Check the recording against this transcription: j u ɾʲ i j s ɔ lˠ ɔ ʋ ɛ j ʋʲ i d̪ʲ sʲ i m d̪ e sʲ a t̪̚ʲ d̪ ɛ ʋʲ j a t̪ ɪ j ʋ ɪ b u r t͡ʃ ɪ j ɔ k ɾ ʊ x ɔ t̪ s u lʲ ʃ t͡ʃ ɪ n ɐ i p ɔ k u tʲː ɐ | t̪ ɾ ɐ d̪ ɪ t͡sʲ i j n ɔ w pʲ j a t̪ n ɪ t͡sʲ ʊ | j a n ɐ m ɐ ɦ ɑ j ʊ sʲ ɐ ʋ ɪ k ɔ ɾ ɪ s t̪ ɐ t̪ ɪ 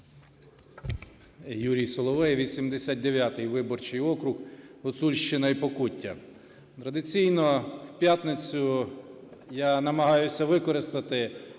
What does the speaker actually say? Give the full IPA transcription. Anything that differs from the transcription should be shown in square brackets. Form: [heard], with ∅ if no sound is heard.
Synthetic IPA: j u ɾʲ i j s ɔ lˠ ɔ ʋ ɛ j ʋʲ i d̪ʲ sʲ i m d̪ e sʲ a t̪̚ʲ d̪ [e] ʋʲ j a t̪ ɪ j ʋ ɪ b [ɔ] r t͡ʃ ɪ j ɔ k ɾ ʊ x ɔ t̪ s u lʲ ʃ t͡ʃ ɪ n ɐ i p ɔ k u tʲː ɐ | t̪ ɾ ɐ d̪ ɪ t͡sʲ i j n ɔ w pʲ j a t̪ n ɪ t͡sʲ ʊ | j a n ɐ m ɐ ɦ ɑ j ʊ sʲ ɐ ʋ ɪ k ɔ ɾ ɪ s t̪ ɐ t̪ ɪ